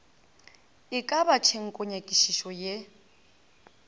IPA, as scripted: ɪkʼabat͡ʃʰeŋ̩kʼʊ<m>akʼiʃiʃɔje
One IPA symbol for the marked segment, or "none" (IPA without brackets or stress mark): ɲ